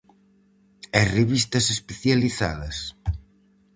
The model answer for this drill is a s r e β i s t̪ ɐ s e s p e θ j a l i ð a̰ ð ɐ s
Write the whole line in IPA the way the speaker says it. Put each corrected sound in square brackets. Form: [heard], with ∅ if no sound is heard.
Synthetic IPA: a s r e β i s t̪ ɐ s e s p e θ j a l i [θ] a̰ ð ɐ s